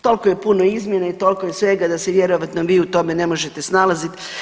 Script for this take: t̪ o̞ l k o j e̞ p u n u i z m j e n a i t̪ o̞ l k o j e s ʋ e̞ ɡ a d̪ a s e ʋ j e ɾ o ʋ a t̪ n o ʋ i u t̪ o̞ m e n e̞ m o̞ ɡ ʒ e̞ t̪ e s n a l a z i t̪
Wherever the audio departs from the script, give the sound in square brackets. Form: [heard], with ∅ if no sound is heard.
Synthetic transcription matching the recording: t̪ o̞ l k o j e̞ p u n [o] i z m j e n a i t̪ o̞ l k o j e s ʋ e̞ ɡ a d̪ a s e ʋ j e ɾ o ʋ a t̪ n o ʋ [iː] u t̪ o̞ m e n e̞ m o̞ [∅] ʒ e̞ t̪ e s n a l a z i t̪